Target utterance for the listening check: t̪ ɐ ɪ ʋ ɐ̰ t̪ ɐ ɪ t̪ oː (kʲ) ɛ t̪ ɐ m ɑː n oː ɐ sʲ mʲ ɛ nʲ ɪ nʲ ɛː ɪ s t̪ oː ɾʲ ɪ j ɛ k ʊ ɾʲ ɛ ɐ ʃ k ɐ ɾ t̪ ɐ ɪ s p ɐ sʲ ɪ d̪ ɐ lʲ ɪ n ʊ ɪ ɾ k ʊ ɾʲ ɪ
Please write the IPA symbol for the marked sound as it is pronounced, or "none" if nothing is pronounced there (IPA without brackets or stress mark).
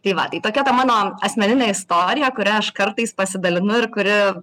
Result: kʲ